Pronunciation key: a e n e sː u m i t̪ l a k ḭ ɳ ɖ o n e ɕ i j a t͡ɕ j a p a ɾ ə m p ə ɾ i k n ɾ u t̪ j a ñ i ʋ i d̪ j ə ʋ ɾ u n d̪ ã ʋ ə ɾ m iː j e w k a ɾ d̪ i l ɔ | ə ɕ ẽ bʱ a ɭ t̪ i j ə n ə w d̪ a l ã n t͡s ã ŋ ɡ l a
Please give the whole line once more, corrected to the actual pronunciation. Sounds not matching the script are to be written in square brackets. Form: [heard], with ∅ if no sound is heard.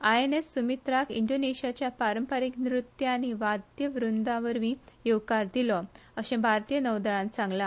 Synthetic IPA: a e n e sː u m i t̪ [ɾ] a k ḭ ɳ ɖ o n e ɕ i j a t͡ɕ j a p a ɾ ə m p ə ɾ i k n ɾ u t̪ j a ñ i ʋ [a] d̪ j ə ʋ ɾ u n d̪ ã ʋ ə ɾ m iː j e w k a ɾ d̪ i l ɔ | ə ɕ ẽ bʱ a [ɾ] t̪ i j ə n ə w d̪ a [ɭ] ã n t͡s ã ŋ ɡ l a